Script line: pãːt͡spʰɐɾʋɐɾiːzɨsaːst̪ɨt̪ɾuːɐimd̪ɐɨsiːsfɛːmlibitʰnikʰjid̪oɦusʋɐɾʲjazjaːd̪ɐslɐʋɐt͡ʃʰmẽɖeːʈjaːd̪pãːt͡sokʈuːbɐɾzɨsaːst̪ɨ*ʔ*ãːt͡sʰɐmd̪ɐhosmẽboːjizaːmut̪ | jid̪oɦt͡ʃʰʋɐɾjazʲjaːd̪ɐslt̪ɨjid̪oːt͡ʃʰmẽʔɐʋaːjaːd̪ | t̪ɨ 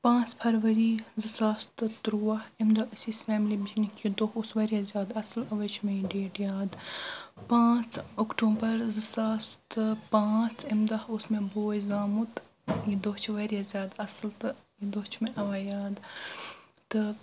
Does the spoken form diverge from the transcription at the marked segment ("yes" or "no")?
yes